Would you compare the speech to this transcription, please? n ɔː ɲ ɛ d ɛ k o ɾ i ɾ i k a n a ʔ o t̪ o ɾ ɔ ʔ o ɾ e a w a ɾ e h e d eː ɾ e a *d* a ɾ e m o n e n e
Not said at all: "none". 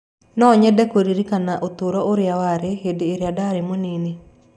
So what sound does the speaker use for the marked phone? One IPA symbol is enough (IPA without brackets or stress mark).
d